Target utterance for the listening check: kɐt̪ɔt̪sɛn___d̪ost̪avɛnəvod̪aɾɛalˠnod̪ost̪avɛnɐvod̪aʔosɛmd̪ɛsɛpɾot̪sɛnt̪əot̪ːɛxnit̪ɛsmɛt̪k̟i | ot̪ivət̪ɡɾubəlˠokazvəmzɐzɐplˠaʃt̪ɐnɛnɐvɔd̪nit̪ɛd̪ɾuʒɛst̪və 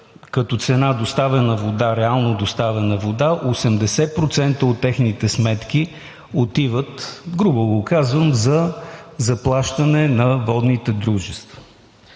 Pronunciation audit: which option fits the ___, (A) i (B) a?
B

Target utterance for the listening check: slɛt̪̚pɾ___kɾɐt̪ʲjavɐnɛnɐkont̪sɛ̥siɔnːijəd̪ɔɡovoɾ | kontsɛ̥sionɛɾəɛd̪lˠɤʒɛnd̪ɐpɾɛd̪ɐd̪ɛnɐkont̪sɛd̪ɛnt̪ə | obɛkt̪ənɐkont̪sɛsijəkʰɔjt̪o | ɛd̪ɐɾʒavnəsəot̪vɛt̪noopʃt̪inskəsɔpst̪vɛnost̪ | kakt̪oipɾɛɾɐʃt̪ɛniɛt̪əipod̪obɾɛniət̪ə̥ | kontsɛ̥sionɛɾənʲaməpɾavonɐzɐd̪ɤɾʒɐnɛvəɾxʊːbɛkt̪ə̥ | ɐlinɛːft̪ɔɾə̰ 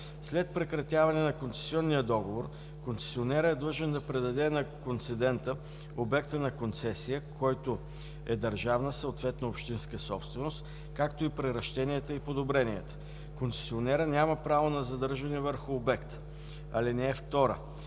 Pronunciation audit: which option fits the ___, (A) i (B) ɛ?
B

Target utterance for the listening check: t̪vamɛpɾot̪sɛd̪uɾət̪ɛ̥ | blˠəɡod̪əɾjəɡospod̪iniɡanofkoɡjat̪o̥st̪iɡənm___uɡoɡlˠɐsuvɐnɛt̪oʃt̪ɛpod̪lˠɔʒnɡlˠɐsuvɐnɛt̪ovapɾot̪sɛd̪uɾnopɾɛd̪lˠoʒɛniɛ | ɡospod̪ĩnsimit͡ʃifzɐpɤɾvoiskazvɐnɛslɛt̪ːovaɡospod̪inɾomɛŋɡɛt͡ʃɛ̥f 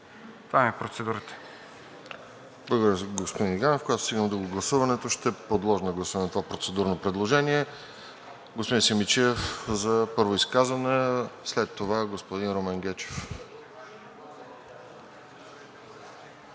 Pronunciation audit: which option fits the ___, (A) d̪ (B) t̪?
A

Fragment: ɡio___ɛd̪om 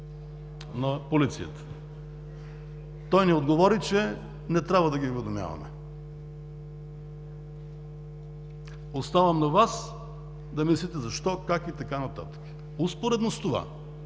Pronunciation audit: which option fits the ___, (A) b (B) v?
B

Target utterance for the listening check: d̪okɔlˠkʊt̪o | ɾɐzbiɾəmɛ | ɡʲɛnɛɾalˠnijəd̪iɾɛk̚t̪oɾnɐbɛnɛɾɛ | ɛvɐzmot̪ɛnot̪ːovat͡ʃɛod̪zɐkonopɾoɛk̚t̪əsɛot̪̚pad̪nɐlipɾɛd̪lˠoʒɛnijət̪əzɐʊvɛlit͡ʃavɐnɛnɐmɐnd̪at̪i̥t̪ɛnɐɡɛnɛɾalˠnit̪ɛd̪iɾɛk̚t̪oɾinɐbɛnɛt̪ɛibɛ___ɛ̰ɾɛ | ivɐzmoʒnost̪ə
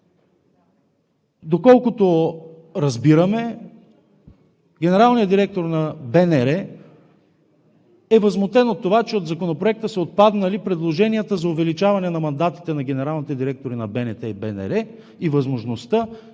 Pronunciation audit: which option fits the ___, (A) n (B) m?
A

